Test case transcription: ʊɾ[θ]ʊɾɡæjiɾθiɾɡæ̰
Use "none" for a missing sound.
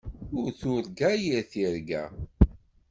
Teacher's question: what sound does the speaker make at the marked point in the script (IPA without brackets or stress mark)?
θ